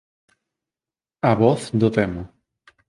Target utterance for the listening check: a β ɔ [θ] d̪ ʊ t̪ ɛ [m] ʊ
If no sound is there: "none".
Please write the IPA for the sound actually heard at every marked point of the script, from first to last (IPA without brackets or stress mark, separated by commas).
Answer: θ, m